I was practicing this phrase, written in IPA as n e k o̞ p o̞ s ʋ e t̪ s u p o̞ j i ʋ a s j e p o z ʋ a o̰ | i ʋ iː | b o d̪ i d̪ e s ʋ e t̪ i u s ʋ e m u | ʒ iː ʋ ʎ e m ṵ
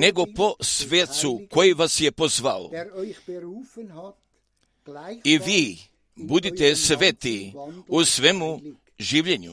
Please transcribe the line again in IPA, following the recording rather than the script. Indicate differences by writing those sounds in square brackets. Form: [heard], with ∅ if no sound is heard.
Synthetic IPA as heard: n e [ɡ] o̞ p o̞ s ʋ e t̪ s u [k] o̞ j i ʋ a s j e p o z ʋ a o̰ | i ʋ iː | b [u] d̪ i [t̪] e s ʋ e t̪ i u s ʋ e m u | ʒ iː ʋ ʎ e [ɲ] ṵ